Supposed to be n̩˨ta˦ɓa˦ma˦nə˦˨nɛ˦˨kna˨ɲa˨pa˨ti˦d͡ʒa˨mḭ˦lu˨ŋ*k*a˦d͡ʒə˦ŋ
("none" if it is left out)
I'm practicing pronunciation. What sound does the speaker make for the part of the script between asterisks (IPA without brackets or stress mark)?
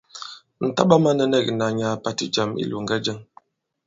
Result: ɡ